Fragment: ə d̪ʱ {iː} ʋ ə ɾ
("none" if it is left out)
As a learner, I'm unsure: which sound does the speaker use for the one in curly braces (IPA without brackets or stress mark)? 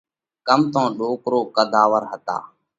aː